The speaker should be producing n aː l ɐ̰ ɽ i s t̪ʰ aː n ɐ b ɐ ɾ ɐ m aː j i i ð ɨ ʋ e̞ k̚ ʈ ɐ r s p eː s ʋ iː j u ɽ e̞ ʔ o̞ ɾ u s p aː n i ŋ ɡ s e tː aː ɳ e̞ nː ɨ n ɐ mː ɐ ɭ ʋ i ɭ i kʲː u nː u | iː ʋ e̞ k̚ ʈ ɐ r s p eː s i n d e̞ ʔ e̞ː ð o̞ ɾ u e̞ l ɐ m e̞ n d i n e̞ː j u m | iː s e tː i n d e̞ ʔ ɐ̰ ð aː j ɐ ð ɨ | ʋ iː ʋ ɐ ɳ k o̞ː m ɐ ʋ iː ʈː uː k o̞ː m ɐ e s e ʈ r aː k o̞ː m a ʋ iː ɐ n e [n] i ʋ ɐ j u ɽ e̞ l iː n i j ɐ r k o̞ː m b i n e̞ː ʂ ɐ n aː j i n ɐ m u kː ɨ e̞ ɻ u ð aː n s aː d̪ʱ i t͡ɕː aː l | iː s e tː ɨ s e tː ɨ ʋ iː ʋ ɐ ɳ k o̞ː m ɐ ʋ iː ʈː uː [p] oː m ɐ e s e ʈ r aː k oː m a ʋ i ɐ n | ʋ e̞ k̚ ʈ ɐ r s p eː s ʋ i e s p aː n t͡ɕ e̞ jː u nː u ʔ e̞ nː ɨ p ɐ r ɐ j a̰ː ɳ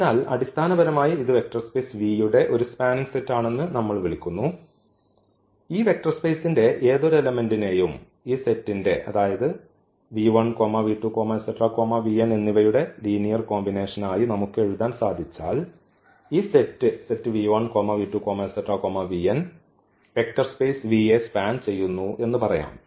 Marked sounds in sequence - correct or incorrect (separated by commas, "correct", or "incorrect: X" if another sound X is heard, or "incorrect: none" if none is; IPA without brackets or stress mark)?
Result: incorrect: nː, incorrect: k